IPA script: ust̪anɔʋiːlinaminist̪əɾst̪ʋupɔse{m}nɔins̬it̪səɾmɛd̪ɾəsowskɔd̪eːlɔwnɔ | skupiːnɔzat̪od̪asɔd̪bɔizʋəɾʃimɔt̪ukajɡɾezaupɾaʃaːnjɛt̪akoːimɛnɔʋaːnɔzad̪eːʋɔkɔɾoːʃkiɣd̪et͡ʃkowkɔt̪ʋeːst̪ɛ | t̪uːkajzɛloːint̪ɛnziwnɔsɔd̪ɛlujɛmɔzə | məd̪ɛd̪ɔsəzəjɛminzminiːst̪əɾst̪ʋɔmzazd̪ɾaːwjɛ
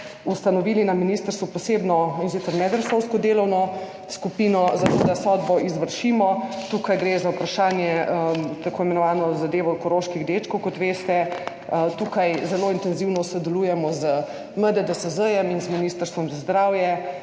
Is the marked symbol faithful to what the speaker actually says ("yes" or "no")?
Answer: no